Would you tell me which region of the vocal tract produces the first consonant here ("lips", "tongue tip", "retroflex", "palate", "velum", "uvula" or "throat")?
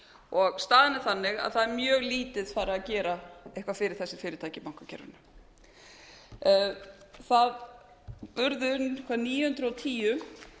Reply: velum